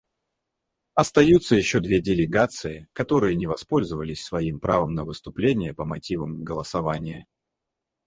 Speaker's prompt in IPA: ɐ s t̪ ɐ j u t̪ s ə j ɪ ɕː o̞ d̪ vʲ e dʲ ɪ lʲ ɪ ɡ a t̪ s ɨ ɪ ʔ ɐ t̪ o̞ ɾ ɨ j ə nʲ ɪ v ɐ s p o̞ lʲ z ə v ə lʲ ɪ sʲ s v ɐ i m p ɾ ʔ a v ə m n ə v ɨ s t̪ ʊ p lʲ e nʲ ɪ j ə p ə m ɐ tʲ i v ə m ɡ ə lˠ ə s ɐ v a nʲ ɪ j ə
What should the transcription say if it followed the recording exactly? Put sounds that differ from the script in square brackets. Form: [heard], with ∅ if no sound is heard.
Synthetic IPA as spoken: ɐ s t̪ ɐ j u t̪ s ə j ɪ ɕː o̞ d̪ vʲ e dʲ ɪ lʲ ɪ ɡ a t̪ s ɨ ɪ [k] ɐ t̪ o̞ ɾ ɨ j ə nʲ ɪ v ɐ s p o̞ lʲ z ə v ə lʲ ɪ sʲ s v ɐ i m p ɾ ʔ a v ə m n ə v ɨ s t̪ ʊ p lʲ e nʲ ɪ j ə p ə m ɐ tʲ i v ə m ɡ ə lˠ ə s ɐ v a nʲ ɪ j ə